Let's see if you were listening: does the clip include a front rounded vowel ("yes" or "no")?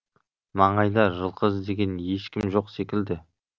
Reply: no